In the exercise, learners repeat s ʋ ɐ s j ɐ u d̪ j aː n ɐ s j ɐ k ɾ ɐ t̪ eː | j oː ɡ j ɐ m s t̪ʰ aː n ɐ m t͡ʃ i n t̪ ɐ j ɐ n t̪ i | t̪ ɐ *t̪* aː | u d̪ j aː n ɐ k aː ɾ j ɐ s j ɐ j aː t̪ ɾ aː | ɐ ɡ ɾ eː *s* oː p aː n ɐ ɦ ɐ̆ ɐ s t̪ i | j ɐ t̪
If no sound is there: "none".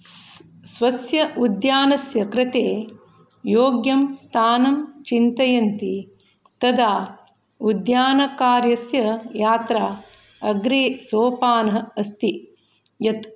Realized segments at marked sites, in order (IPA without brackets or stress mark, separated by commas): d̪, s